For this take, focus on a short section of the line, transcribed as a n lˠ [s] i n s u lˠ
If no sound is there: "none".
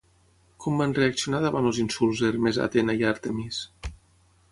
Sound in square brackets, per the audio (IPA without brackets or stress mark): z